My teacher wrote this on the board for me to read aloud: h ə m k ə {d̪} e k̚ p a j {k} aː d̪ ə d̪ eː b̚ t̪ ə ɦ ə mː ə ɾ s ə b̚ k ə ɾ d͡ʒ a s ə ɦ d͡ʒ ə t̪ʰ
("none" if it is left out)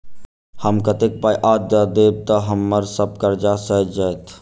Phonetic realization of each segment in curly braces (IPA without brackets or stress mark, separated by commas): t̪, ʔ